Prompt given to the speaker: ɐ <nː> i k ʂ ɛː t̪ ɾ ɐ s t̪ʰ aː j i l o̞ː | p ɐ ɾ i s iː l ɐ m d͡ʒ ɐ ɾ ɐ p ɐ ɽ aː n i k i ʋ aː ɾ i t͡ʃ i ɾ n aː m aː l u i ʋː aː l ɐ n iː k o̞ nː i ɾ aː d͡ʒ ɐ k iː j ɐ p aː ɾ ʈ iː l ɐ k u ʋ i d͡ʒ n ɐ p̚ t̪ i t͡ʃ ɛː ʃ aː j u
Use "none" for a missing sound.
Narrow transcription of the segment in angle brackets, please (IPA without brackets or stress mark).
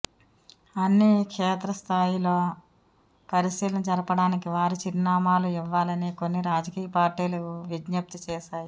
nː